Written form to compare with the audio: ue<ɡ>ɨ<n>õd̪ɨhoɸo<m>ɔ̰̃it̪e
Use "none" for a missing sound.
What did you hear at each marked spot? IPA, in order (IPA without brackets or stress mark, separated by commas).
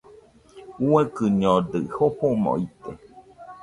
k, ɲ, m